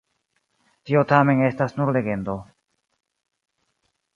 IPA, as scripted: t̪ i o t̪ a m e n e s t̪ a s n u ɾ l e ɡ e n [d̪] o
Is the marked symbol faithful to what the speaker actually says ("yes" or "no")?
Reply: yes